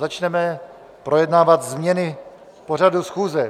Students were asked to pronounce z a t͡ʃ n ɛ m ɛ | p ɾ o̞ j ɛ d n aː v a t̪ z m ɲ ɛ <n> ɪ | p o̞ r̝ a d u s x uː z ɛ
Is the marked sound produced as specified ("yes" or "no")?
yes